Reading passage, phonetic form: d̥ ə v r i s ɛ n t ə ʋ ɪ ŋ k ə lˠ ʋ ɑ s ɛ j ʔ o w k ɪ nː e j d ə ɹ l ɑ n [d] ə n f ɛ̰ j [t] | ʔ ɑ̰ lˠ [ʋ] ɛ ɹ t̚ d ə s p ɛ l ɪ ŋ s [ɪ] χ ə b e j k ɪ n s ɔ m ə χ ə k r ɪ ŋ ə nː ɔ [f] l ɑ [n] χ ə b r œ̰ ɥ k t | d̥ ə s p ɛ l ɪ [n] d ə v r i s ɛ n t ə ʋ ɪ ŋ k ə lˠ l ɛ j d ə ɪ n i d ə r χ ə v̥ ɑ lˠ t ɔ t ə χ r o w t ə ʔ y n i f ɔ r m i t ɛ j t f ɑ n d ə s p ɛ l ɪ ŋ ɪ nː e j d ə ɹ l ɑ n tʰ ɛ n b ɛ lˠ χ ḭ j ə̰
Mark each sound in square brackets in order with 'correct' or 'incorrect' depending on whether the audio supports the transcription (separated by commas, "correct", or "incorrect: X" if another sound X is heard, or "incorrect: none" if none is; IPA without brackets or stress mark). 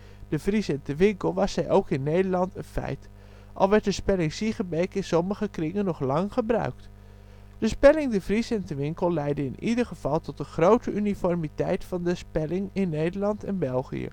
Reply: incorrect: t, correct, correct, incorrect: i, incorrect: χ, incorrect: ŋ, incorrect: ŋ